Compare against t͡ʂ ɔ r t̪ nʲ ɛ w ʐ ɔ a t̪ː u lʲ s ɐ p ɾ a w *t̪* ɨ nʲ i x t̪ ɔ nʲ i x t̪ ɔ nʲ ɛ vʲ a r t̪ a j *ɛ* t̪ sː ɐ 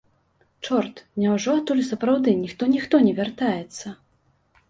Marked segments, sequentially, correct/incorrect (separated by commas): incorrect, correct